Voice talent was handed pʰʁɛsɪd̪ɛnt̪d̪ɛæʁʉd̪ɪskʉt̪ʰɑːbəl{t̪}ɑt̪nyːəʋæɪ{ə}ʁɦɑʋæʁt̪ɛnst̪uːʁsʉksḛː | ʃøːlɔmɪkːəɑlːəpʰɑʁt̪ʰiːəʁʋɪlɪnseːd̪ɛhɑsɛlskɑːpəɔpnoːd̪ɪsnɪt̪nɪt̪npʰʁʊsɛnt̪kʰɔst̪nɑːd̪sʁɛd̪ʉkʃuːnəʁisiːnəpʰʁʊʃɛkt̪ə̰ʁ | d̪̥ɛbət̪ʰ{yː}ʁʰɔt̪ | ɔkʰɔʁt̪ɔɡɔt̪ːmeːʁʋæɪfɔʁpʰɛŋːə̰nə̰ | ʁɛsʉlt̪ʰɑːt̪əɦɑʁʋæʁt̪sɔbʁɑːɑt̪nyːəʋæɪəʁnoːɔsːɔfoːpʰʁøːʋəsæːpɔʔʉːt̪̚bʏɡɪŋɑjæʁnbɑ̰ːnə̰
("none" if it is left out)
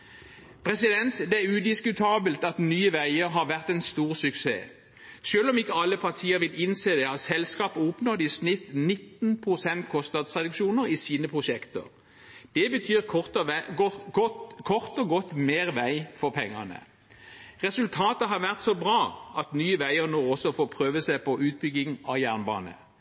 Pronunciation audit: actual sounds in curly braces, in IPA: t̪, ə, yː

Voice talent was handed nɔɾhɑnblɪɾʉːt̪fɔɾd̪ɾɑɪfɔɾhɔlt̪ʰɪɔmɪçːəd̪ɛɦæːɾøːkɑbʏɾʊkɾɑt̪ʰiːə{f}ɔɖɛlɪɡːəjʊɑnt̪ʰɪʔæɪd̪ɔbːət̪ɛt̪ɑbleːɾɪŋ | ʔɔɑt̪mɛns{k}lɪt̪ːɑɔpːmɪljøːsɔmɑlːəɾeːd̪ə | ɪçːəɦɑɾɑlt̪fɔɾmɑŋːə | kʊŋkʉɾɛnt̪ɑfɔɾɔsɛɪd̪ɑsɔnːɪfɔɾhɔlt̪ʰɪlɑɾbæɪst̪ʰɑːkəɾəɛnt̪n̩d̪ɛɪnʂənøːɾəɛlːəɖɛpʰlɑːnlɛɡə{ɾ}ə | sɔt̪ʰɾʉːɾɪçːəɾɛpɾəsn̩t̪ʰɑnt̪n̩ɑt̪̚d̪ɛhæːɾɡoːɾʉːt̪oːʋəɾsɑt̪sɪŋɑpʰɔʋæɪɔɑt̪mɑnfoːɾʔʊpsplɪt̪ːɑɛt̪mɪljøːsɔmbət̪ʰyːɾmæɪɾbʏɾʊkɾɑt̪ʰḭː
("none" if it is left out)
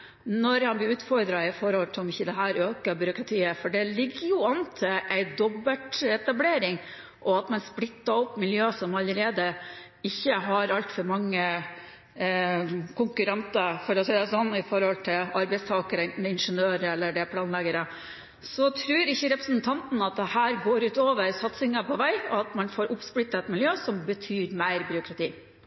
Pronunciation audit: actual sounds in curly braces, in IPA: f, p, ɾ

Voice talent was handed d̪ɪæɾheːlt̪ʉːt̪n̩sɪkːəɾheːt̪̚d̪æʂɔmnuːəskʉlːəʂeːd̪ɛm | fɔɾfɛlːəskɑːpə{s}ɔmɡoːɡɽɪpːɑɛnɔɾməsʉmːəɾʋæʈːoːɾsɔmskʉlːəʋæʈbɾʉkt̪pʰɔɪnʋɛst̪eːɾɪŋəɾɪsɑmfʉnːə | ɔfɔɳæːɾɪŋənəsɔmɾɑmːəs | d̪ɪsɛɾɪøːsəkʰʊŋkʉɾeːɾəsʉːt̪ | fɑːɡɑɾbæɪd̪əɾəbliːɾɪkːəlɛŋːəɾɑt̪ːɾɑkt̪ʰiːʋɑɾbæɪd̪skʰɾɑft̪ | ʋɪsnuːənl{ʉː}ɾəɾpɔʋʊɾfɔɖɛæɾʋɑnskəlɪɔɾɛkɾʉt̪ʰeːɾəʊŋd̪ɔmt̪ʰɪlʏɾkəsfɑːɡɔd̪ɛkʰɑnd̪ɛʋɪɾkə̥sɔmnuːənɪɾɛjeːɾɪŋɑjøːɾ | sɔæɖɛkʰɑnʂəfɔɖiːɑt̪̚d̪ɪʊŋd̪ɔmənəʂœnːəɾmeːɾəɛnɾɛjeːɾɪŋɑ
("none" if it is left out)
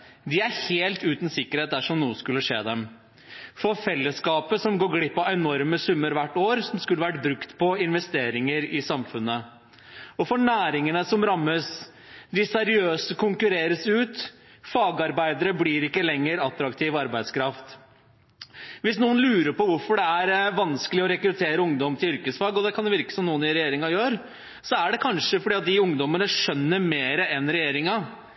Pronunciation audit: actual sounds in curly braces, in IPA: s, ʉː

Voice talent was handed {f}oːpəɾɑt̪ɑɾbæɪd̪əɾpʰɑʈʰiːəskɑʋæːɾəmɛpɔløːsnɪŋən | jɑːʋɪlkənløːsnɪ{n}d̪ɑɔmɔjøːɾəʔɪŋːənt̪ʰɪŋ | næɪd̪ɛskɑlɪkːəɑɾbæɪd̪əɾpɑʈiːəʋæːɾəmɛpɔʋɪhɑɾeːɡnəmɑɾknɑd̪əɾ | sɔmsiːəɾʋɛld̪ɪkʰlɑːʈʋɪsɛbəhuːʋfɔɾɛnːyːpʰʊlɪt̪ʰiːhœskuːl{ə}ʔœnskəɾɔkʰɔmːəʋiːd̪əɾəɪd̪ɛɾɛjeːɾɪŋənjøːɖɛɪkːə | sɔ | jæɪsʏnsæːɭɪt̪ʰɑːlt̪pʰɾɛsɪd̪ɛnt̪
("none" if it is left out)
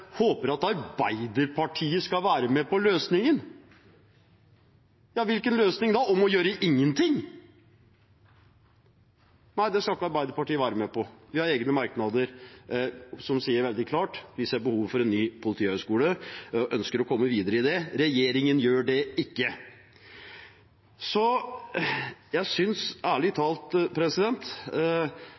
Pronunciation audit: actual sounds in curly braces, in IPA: h, ŋ, ə

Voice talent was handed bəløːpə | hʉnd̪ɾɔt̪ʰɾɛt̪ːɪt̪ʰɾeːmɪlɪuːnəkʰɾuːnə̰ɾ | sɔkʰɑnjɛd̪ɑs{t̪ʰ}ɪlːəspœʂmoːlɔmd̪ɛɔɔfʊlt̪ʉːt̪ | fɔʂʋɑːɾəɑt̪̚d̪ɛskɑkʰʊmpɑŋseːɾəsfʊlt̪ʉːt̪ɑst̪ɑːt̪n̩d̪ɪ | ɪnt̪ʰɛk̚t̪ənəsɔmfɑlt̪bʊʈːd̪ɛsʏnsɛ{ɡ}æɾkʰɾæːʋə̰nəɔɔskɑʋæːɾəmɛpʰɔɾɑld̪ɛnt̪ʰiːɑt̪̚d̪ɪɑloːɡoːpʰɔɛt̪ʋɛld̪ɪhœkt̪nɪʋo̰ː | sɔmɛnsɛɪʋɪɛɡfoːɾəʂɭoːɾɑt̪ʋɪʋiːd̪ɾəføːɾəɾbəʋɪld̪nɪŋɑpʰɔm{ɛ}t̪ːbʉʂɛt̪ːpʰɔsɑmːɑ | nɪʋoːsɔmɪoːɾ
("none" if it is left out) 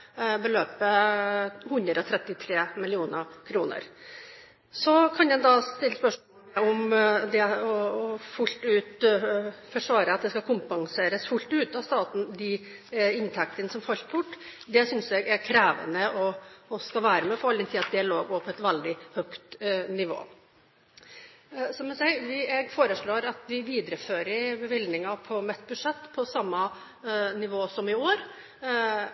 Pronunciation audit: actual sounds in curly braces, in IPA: t̪, ɡ, ɛ

